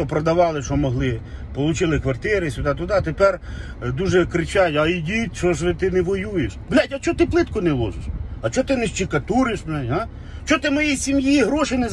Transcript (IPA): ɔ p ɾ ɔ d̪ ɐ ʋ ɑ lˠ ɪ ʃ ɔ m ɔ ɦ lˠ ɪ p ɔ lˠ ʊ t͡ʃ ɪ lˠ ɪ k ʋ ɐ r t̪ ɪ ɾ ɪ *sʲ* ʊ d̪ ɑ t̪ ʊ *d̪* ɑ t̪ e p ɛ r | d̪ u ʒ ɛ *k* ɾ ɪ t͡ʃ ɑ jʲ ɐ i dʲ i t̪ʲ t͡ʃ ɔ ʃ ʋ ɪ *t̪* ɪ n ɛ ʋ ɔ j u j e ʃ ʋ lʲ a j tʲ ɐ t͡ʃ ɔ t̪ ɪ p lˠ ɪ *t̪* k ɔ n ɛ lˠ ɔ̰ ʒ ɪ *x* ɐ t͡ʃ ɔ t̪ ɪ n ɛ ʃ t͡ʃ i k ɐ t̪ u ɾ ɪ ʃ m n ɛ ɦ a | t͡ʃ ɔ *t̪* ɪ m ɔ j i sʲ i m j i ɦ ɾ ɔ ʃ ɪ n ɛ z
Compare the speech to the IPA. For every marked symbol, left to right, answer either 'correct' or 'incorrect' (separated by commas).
correct, correct, correct, correct, correct, incorrect, correct